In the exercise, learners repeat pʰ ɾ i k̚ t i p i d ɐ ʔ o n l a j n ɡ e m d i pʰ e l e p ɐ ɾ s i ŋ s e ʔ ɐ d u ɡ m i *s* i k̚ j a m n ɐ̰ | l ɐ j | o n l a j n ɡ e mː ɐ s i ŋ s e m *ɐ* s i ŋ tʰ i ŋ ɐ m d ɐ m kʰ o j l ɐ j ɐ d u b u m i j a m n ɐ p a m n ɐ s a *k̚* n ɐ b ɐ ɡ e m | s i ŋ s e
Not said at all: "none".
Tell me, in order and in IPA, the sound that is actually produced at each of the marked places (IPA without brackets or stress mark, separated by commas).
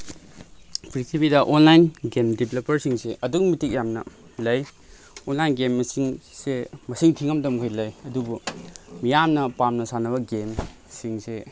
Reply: t, ɐ, none